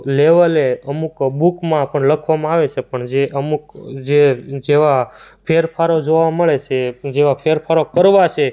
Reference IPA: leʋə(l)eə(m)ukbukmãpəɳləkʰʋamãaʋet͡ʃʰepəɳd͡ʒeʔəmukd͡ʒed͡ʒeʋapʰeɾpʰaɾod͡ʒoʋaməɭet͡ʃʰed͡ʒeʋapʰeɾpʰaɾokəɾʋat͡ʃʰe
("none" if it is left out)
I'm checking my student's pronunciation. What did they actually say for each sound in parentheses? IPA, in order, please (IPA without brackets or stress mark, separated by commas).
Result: l, m